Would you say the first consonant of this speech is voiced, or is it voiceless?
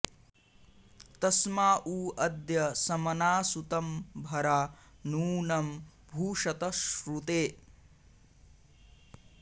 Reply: voiceless